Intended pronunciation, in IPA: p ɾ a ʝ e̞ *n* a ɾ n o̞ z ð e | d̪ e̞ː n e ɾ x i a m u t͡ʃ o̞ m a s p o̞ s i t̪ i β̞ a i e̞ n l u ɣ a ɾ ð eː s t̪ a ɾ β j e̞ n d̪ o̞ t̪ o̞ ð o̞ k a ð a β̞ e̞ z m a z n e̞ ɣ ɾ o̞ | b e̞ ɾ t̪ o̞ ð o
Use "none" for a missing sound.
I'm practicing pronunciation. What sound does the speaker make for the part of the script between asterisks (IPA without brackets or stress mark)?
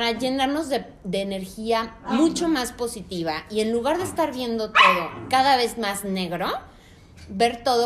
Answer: n